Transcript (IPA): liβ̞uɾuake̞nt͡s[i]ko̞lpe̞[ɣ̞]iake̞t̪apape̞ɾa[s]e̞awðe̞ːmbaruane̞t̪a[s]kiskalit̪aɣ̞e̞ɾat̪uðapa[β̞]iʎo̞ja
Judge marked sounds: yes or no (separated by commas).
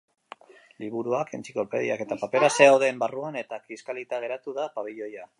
yes, no, yes, no, yes